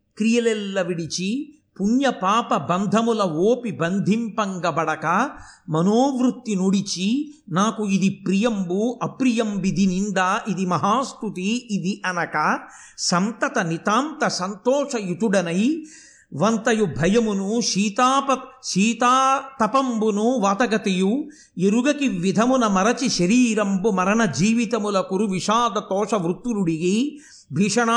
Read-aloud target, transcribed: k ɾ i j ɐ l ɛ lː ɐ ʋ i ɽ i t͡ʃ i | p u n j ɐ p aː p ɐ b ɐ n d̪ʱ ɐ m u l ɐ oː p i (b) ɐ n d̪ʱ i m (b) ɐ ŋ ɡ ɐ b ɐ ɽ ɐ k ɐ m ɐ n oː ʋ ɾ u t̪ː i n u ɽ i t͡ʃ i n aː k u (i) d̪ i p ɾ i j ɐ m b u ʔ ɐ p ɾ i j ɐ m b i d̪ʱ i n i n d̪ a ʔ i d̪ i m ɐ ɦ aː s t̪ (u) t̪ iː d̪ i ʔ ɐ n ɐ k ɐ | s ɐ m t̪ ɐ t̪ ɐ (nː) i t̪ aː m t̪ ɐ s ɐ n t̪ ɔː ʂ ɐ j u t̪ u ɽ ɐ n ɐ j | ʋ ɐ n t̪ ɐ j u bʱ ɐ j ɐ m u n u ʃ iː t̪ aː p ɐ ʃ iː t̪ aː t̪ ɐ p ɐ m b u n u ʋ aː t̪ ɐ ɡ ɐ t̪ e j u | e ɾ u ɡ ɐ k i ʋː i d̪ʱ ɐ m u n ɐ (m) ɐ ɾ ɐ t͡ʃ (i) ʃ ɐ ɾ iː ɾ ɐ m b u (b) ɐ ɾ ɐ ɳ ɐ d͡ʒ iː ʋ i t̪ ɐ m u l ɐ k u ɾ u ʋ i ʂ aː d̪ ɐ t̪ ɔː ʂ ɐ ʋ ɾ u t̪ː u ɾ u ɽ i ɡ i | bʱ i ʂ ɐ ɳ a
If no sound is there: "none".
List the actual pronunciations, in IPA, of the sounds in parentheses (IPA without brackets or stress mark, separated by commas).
b, p, i, u, n, m, i, m